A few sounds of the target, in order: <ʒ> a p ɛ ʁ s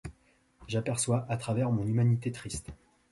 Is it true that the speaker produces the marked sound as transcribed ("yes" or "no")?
yes